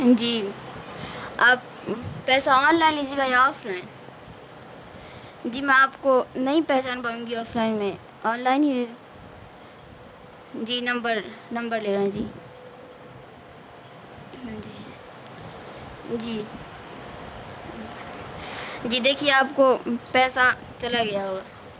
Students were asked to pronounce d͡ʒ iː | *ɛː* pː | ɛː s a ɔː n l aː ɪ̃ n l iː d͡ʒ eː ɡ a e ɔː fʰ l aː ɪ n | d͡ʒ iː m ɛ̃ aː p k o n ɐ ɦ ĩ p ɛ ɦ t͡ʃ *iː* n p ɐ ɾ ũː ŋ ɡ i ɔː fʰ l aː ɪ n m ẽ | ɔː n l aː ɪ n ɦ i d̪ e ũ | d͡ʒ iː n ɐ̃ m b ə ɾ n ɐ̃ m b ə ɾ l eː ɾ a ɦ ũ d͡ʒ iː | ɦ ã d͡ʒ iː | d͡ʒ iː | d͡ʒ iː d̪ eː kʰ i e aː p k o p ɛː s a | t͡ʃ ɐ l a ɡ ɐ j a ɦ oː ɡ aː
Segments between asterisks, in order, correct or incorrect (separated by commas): incorrect, incorrect